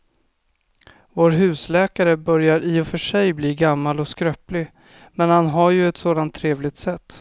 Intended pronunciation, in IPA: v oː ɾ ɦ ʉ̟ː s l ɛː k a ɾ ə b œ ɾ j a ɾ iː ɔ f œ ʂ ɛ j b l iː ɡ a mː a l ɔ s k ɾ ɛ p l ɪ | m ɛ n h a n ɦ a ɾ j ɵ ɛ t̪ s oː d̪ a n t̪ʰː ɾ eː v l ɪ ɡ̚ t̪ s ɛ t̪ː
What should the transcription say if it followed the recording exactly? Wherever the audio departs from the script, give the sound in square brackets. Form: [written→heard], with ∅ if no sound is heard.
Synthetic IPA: v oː ɾ ɦ ʉ̟ː s l ɛː k a ɾ ə b œ ɾ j a ɾ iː ɔ f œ ʂ ɛ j b l iː ɡ a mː a l ɔ s k ɾ [ɛ→œ] p l ɪ | m ɛ n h a n ɦ a ɾ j ɵ ɛ t̪ s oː d̪ a n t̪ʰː ɾ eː v l ɪ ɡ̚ t̪ s ɛ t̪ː